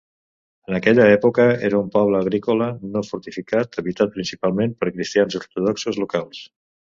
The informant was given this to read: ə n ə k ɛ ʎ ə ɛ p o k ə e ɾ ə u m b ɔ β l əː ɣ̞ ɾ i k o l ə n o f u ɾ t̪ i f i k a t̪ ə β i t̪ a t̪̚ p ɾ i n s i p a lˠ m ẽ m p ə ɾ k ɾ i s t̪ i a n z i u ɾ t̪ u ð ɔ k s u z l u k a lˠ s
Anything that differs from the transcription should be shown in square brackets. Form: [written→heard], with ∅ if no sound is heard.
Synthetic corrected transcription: ə n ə k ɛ ʎ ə ɛ p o k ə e ɾ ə u m [b→p] ɔ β l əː ɣ̞ ɾ i k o l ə n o f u ɾ t̪ i f i k a t̪ ə β i t̪ a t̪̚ p ɾ i n s i p a lˠ m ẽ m p ə ɾ k ɾ i s t̪ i a n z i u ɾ t̪ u ð ɔ k s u z l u k a lˠ s

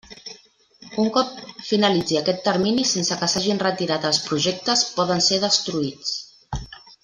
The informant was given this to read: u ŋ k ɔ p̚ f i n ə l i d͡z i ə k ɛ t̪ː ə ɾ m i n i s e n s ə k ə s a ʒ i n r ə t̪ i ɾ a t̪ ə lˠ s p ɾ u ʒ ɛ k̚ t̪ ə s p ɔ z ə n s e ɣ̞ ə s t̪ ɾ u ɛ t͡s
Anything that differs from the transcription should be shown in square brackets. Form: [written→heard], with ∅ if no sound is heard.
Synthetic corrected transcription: u ŋ k ɔ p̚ f i n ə l i d͡z i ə k ɛ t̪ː ə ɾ m i n i s e n s ə k ə s a ʒ i n r ə t̪ i ɾ a t̪ ə lˠ s p ɾ u ʒ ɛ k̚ t̪ ə s p ɔ [z→ð] ə n s e [ɣ̞→ð̞] ə s t̪ ɾ u [ɛ→i] t͡s

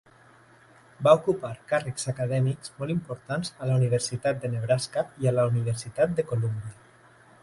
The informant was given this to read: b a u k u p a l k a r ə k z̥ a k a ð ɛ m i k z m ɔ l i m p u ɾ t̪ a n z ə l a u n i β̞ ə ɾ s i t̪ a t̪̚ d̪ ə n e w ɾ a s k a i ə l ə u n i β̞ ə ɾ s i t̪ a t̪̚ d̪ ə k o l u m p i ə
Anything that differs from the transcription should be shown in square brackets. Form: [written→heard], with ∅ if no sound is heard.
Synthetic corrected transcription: b a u k u p a [l→ɾ] k a r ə k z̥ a k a ð ɛ m i k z m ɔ l i m p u ɾ t̪ a n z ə l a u n i β̞ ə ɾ s i t̪ a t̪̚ d̪ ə n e [w→β] ɾ a s k a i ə l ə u n i β̞ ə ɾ s i t̪ a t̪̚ d̪ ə k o l u m [p→b] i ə

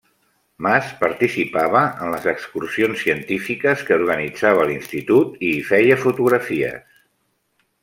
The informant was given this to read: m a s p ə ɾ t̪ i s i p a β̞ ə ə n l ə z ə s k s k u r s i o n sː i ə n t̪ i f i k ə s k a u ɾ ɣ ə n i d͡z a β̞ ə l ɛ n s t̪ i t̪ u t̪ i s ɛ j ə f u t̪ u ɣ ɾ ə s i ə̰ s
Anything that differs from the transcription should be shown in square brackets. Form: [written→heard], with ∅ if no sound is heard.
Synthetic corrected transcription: m a s p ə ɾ t̪ i s i p a β̞ ə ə n l ə z ə [s→∅] k s k u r s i o n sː i ə n t̪ i f i k ə s k [a→ə] u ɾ ɣ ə n i d͡z a β̞ ə l [ɛ→i] n s t̪ i t̪ u t̪ i [s→f] ɛ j ə f u t̪ u ɣ ɾ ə [s→f] i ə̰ s

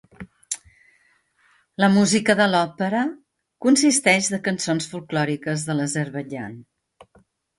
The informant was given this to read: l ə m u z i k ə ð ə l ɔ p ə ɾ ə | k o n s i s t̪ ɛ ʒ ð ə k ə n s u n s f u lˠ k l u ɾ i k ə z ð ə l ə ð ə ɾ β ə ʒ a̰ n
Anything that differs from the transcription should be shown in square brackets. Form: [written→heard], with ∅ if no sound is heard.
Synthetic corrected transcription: l ə m u z i k ə ð ə l ɔ p ə ɾ ə | k [o→u] n s i s t̪ ɛ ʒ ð ə k ə n s [u→o] n s f u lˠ k l [u→ɔ] ɾ i k ə z ð ə l ə [ð→z] ə ɾ β ə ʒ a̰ n

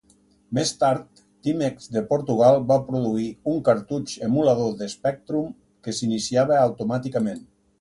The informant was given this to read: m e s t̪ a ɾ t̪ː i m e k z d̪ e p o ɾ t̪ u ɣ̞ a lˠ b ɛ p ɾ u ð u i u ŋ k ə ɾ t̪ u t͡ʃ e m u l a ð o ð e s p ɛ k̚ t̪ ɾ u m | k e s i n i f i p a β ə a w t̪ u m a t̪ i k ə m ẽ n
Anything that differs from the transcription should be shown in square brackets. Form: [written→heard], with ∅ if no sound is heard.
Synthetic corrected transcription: m e s t̪ a ɾ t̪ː i m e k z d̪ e p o ɾ t̪ u ɣ̞ a lˠ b [ɛ→a] p ɾ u ð u i u ŋ k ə ɾ t̪ u t͡ʃ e m u l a ð o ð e s p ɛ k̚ t̪ ɾ u m | k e s i n i [f→s] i [p→∅] a β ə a w t̪ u m a t̪ i k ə m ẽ n

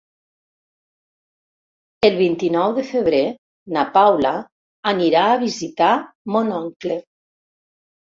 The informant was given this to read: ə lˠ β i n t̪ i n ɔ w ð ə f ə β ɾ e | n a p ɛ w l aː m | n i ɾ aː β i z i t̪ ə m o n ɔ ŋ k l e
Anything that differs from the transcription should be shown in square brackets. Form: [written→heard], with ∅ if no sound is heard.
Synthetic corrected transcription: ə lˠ β i n t̪ i n ɔ w ð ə f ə β ɾ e | n a p [ɛ→a] w l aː [m→∅] | n i ɾ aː β i z i t̪ [ə→a] m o n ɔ ŋ k l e

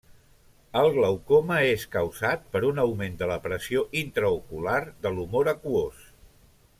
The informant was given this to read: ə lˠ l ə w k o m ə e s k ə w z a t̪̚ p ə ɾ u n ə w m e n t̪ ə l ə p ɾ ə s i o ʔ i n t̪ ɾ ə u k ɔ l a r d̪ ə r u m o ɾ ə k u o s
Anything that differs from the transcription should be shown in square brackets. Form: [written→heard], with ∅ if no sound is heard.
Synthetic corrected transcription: ə lˠ l ə w k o m ə e s k ə w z a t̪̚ p ə ɾ u n ə w m e n [t̪→d̪] ə l ə p ɾ ə s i o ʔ i n t̪ ɾ ə u k [ɔ→u] l a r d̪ ə [r→l] u m o ɾ ə k u o s

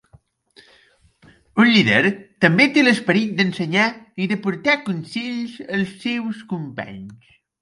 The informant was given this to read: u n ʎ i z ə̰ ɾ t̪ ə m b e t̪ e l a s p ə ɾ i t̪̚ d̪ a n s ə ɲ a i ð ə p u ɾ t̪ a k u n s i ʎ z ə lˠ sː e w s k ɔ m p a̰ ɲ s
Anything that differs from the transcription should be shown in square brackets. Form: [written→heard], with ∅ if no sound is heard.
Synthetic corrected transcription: u n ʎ i [z→ð] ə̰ ɾ t̪ ə m b e t̪ e l [a→ə] s p ə ɾ i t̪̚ d̪ [a→ə] n s ə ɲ a i ð ə p u ɾ t̪ a k u n s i ʎ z ə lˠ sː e w s k [ɔ→u] m p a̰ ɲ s

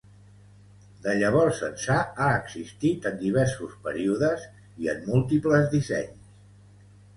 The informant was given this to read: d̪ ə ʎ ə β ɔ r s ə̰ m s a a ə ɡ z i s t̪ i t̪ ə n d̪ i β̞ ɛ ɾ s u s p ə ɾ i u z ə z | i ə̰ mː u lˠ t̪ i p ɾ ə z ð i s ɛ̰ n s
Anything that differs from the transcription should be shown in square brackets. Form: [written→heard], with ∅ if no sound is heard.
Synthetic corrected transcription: d̪ ə ʎ ə β ɔ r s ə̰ [m→n] s a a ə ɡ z i s t̪ i t̪ ə n d̪ i β̞ ɛ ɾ s u s p ə ɾ i u [z→ð] ə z | i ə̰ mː u lˠ t̪ i p [ɾ→l] ə z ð i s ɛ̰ [n→ɲ] s

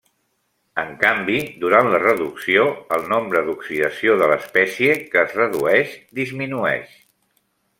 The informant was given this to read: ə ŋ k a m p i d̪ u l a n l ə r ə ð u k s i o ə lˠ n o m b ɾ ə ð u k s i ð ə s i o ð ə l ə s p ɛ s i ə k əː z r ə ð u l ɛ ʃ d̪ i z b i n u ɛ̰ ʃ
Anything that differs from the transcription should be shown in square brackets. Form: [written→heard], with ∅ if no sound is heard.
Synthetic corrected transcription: ə ŋ k a m [p→b] i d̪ u [l→ɾ] a n l ə r ə ð u k s i o ə lˠ n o m b ɾ ə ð u k s i ð ə s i o ð ə l ə s p ɛ s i ə k əː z r ə ð u [l→∅] ɛ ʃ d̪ i z [b→m] i n u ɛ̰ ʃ

